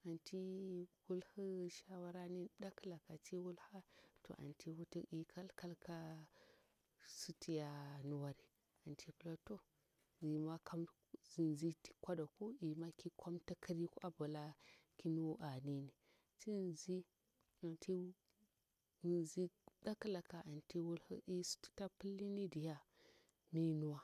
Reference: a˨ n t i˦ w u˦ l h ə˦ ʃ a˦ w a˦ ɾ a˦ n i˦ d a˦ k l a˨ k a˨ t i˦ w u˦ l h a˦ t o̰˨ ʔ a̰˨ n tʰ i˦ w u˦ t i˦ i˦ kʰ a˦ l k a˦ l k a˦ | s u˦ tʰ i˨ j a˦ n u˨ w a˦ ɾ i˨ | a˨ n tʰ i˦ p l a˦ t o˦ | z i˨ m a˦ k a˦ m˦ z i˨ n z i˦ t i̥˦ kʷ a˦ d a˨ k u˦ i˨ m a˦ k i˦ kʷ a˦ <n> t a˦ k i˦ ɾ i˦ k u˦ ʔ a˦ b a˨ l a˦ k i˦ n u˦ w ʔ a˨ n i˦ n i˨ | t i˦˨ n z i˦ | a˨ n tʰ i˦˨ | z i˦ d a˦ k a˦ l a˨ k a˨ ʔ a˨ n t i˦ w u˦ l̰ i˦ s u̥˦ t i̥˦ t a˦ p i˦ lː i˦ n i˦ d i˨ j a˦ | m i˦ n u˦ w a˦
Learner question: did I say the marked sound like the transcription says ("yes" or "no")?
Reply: no